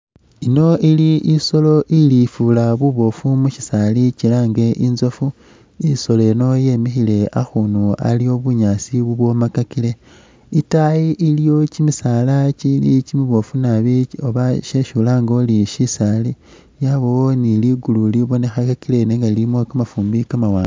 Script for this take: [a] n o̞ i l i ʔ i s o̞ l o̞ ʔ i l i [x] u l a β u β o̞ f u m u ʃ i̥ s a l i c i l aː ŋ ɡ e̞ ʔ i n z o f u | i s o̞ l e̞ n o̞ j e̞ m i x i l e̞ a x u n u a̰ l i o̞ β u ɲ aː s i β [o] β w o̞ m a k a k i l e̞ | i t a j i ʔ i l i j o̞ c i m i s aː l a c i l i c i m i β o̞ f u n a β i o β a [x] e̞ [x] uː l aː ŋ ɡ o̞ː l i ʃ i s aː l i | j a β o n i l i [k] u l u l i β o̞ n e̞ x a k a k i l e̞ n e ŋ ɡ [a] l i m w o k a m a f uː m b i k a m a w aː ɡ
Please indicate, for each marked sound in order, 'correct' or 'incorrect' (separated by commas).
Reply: incorrect, incorrect, incorrect, incorrect, incorrect, incorrect, correct